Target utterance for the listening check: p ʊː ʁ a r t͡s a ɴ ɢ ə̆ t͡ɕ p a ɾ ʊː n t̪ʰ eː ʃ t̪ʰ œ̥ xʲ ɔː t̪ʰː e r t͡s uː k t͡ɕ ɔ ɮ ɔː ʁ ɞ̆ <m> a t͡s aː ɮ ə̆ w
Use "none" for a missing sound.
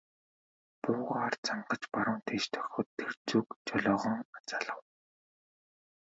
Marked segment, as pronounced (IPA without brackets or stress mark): ŋ